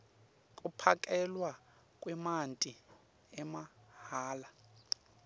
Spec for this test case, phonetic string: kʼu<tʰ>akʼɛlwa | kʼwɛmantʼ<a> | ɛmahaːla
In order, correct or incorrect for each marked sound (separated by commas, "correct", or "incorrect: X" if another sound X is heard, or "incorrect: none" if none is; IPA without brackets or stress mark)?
incorrect: pʰ, incorrect: i